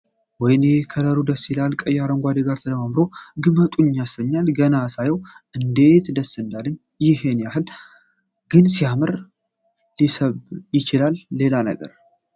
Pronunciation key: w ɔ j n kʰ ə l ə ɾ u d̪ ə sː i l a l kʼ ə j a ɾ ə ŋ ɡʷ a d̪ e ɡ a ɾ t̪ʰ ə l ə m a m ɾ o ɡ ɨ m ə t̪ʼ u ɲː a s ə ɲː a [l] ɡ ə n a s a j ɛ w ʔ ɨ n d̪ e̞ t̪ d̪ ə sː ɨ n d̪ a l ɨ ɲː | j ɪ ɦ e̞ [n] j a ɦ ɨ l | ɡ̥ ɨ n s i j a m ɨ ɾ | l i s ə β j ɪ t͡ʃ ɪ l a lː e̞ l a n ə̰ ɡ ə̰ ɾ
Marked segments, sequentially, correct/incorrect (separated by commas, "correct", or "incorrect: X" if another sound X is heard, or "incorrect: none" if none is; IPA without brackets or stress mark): correct, correct